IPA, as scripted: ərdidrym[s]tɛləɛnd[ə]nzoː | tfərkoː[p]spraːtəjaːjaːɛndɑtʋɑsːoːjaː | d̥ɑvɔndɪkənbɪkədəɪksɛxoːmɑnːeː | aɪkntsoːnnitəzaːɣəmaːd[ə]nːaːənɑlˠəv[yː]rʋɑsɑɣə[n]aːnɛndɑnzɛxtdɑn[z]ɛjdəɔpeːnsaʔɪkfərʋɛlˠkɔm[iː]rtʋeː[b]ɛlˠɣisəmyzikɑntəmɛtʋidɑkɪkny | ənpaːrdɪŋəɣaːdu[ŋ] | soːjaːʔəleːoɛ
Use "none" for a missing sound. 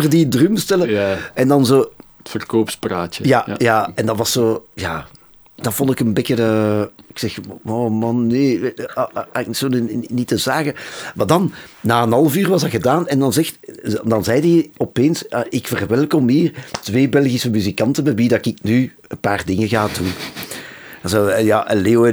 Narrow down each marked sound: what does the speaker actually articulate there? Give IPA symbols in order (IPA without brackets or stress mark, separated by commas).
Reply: s, ɑ, p, ɑ, yː, d, z, iː, b, n